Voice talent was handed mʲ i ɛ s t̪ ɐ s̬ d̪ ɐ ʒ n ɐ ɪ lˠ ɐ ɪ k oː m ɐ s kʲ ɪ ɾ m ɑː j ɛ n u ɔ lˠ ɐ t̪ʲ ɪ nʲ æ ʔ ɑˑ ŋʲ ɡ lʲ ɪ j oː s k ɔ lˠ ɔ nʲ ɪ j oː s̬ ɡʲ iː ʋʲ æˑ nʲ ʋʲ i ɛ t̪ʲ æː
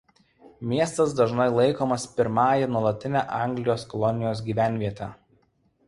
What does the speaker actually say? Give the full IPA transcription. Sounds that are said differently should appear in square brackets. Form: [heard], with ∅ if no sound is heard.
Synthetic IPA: mʲ i ɛ s t̪ ɐ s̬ d̪ ɐ ʒ n ɐ ɪ lˠ ɐ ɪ k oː m ɐ s [pʲ] ɪ ɾ m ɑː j ɛ n u ɔ lˠ ɐ t̪ʲ ɪ nʲ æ ʔ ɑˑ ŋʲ ɡ lʲ ɪ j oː s k ɔ lˠ ɔ nʲ ɪ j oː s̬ ɡʲ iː ʋʲ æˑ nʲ ʋʲ i ɛ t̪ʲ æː

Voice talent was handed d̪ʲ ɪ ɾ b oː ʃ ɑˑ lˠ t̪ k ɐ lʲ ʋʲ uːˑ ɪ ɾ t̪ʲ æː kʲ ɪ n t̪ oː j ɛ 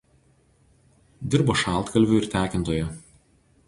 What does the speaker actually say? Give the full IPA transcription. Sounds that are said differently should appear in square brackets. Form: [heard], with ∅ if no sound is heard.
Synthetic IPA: d̪ʲ ɪ ɾ b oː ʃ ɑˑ lˠ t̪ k ɐ lʲ ʋʲ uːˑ ɪ ɾ t̪ʲ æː kʲ ɪ n t̪ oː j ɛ

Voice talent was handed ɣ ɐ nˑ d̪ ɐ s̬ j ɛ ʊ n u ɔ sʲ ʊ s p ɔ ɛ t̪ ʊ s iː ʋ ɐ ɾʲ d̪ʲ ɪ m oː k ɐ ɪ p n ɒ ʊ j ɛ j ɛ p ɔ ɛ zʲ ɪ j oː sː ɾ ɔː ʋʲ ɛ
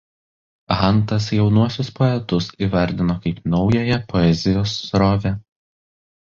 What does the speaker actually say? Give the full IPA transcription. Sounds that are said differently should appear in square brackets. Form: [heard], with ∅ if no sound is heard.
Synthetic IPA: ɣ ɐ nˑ [t̪] ɐ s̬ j ɛ ʊ n u ɔ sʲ ʊ s p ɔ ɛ t̪ ʊ s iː ʋ ɐ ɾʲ d̪ʲ ɪ [n] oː k ɐ ɪ p n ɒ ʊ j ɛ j ɛ p ɔ ɛ zʲ ɪ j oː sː ɾ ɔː ʋʲ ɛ

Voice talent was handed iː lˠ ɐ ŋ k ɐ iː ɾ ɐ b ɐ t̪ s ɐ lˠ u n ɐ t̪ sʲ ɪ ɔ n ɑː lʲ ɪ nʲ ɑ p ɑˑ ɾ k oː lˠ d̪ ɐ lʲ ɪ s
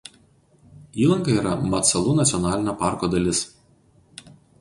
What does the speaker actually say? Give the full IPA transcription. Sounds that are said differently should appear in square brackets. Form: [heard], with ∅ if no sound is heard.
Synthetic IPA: iː lˠ ɐ ŋ k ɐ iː ɾ ɐ [m] ɐ t̪ s ɐ lˠ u n ɐ t̪ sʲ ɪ ɔ n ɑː lʲ ɪ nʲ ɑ p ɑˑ ɾ k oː [∅] d̪ ɐ lʲ ɪ s

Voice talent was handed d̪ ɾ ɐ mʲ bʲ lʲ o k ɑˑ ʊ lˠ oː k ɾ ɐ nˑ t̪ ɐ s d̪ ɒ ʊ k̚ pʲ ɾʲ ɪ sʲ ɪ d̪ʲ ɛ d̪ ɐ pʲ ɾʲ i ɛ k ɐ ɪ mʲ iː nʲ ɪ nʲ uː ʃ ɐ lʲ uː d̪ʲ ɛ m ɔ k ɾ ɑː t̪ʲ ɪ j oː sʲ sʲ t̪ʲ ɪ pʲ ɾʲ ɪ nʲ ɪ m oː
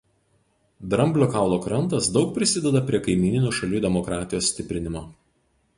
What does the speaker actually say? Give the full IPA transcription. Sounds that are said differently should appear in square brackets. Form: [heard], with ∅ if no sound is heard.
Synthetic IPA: d̪ ɾ ɐ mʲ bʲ lʲ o k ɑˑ ʊ lˠ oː k ɾ ɐ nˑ t̪ ɐ s d̪ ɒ ʊ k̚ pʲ ɾʲ ɪ sʲ ɪ d̪ʲ ɛ d̪ ɐ pʲ ɾʲ i ɛ k ɐ ɪ mʲ iː nʲ ɪ nʲ uː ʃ ɐ lʲ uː d̪ʲ ɛ m ɔ k ɾ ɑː t̪ʲ ɪ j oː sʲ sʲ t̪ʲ ɪ pʲ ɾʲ ɪ nʲ ɪ m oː

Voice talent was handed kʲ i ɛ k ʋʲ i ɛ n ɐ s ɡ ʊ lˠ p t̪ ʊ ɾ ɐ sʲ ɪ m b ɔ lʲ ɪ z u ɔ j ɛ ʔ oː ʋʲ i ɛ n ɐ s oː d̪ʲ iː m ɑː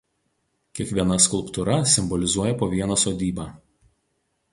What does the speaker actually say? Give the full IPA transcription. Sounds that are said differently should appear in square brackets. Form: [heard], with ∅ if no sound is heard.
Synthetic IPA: kʲ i ɛ k ʋʲ i ɛ n ɐ s [k] ʊ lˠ p t̪ ʊ ɾ ɐ sʲ ɪ m b ɔ lʲ ɪ z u ɔ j ɛ [p] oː ʋʲ i ɛ n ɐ s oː d̪ʲ iː [b] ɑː

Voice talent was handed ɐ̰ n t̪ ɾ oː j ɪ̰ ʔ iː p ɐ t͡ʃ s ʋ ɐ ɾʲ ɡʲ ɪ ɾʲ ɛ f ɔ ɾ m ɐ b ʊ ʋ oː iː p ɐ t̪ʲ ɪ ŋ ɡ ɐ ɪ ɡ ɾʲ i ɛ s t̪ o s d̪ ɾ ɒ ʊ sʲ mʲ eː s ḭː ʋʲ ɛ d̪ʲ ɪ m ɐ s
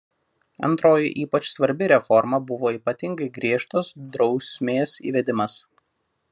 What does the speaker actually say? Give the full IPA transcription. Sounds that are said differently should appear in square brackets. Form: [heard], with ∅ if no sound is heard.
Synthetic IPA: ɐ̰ n t̪ ɾ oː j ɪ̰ ʔ iː p ɐ t͡ʃ s ʋ ɐ ɾʲ [bʲ] ɪ ɾʲ ɛ f ɔ ɾ m ɐ b ʊ ʋ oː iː p ɐ t̪ʲ ɪ ŋ ɡ ɐ ɪ ɡ ɾʲ i ɛ [ʃ] t̪ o s d̪ ɾ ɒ ʊ sʲ mʲ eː s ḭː ʋʲ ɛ d̪ʲ ɪ m ɐ s

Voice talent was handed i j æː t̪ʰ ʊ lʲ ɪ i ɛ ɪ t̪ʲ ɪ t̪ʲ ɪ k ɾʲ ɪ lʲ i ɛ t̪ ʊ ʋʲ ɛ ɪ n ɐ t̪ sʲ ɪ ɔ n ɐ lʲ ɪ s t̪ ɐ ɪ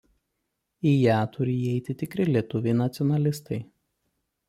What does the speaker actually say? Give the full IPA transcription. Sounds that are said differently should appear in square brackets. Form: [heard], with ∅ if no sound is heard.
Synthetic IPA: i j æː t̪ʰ ʊ [ɾʲ] ɪ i ɛ ɪ t̪ʲ ɪ t̪ʲ ɪ k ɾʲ ɪ lʲ i ɛ t̪ ʊ ʋʲ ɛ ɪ n ɐ t̪ sʲ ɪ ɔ n ɐ lʲ ɪ s t̪ ɐ ɪ

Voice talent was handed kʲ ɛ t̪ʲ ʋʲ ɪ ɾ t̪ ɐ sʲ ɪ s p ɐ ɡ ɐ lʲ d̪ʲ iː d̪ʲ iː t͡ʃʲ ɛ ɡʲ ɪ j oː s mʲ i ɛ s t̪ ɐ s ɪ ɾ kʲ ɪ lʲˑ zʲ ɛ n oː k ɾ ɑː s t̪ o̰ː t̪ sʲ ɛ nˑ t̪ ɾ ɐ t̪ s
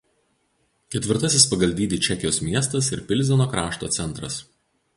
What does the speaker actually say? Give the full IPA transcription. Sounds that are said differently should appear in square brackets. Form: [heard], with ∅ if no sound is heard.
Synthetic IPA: kʲ ɛ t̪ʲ ʋʲ ɪ ɾ t̪ ɐ sʲ ɪ s p ɐ ɡ ɐ lʲ d̪ʲ iː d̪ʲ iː t͡ʃʲ ɛ [kʲ] ɪ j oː s mʲ i ɛ s t̪ ɐ s ɪ ɾ [pʲ] ɪ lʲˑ zʲ ɛ n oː k ɾ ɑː [ʃ] t̪ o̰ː t̪ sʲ ɛ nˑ t̪ ɾ ɐ [∅] s

